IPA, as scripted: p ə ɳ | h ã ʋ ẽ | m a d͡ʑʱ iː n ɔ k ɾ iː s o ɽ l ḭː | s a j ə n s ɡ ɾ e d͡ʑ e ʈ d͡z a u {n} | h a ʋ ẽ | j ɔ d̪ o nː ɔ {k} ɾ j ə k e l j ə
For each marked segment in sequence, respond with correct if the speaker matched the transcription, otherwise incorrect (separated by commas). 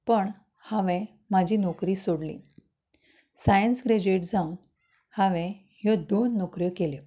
correct, correct